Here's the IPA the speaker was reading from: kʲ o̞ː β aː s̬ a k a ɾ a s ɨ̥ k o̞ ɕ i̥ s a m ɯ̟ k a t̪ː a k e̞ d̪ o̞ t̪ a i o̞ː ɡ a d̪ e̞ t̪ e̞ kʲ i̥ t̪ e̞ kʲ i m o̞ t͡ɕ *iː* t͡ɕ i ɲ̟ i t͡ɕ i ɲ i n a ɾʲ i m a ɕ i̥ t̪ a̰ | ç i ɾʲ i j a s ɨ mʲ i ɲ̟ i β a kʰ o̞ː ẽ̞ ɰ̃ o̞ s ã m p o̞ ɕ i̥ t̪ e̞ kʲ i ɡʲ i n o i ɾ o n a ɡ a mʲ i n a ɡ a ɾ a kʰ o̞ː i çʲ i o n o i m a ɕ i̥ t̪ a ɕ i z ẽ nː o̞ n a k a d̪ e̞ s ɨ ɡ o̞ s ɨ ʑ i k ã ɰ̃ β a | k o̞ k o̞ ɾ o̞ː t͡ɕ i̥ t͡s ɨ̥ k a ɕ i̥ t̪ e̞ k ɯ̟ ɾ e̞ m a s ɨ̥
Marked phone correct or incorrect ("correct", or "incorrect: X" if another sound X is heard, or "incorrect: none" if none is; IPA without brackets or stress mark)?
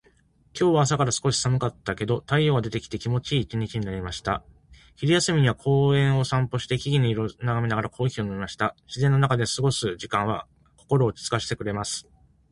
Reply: correct